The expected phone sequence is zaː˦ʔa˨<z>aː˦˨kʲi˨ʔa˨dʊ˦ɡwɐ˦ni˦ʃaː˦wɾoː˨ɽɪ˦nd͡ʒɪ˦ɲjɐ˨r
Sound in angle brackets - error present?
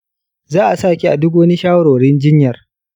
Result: yes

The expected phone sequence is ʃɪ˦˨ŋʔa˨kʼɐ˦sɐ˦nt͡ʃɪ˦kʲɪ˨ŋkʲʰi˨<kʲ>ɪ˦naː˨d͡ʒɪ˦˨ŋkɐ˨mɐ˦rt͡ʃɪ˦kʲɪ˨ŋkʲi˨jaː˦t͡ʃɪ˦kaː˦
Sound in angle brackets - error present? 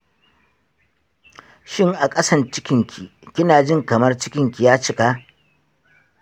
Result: no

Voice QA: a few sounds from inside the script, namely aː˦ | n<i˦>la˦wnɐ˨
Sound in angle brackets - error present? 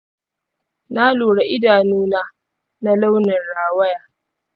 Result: yes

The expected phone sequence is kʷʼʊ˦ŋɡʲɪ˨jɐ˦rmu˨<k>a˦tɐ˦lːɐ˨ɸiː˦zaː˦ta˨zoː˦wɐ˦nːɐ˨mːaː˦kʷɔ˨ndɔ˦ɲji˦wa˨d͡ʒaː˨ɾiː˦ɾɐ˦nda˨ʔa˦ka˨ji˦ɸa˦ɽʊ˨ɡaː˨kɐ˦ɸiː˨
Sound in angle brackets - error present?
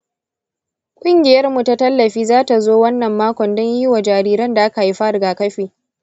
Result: yes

